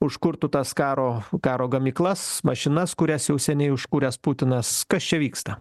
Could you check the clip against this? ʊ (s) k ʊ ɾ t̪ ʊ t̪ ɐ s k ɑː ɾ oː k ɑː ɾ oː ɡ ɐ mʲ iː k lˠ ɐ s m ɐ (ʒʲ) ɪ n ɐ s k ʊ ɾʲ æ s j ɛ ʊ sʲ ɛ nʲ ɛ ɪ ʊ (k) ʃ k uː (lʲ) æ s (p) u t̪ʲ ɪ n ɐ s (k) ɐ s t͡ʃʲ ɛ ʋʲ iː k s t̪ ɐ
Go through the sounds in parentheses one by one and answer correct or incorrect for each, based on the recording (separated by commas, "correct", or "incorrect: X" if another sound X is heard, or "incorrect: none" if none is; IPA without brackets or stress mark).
incorrect: ʃ, incorrect: ʃʲ, incorrect: none, incorrect: ɾʲ, correct, correct